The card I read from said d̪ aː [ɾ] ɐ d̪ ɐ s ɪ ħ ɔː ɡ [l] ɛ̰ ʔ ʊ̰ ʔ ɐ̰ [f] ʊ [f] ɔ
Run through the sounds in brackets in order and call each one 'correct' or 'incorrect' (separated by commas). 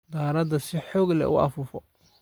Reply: correct, correct, correct, correct